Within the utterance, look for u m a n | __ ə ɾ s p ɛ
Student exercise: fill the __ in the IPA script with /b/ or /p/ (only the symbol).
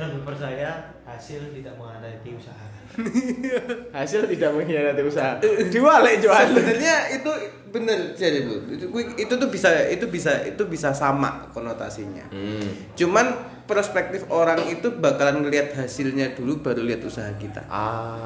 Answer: p